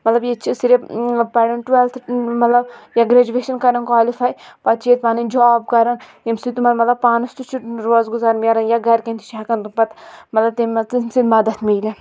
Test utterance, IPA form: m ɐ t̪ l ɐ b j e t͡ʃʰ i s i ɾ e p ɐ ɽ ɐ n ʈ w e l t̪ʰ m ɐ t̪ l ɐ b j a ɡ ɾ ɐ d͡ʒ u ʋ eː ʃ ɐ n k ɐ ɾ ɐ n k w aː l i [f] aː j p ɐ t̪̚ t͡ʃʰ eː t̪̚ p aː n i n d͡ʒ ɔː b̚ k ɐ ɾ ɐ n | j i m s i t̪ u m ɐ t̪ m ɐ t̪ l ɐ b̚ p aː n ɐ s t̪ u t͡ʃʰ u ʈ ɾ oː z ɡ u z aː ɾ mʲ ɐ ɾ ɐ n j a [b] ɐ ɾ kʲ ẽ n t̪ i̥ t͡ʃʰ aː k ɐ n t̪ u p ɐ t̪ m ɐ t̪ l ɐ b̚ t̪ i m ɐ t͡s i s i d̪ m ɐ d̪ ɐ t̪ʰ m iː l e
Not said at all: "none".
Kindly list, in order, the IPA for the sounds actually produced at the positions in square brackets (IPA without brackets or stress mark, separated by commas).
f, ɡ